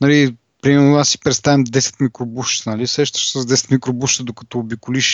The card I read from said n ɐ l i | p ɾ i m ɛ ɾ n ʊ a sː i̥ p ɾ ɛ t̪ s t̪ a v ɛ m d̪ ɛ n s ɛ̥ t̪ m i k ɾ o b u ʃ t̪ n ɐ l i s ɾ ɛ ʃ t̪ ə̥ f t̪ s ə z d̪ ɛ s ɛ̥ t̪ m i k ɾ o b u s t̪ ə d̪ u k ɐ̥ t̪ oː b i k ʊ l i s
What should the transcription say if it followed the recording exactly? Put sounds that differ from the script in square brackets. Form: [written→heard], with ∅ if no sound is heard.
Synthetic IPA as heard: n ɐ l i | p ɾ i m ɛ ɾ n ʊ a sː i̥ p ɾ ɛ t̪ s t̪ a v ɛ m d̪ ɛ [n→∅] s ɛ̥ t̪ m i k ɾ o b u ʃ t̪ n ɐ l i s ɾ ɛ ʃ t̪ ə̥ [f→ʃ] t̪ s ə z d̪ ɛ s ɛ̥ t̪ m i k ɾ o b u [s→ʃ] t̪ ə d̪ [u→o] k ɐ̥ t̪ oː b i k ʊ l i [s→ʃ]